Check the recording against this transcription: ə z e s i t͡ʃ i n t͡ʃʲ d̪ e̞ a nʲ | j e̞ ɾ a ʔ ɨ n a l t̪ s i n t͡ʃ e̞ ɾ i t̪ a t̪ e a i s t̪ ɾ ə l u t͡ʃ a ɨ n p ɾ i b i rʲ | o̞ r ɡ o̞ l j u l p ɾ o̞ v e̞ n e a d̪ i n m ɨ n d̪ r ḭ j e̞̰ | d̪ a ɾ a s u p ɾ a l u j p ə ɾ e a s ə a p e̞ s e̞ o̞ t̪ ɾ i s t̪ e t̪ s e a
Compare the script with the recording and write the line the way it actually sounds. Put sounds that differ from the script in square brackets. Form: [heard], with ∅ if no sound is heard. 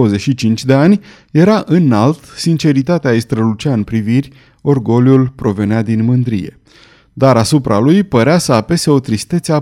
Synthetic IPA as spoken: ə z e [ʃ] i t͡ʃ i n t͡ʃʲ d̪ e̞ a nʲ | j e̞ ɾ a ʔ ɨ n a l t̪ s i n t͡ʃ e̞ ɾ i t̪ a t̪ e a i s t̪ ɾ ə l u t͡ʃ a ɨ n p ɾ i [v] i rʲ | o̞ r ɡ o̞ l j u l p ɾ o̞ v e̞ n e a d̪ i n m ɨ n d̪ [ɾ] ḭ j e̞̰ | d̪ a ɾ a s u p ɾ a l u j p ə ɾ e a s ə a p e̞ s e̞ o̞ t̪ ɾ i s t̪ e t̪ s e a